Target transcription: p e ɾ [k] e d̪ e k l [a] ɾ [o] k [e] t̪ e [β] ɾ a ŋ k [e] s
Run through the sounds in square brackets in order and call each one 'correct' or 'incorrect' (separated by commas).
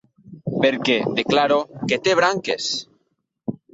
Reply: correct, correct, correct, correct, correct, correct